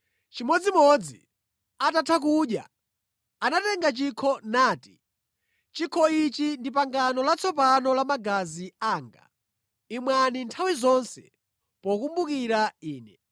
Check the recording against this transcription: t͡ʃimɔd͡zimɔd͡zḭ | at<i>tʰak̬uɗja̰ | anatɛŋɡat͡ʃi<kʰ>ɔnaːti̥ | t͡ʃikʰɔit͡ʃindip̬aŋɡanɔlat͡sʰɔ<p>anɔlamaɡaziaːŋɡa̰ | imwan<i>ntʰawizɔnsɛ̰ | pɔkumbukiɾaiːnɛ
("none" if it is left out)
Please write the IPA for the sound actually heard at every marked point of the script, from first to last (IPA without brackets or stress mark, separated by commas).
a, kʰ, p, i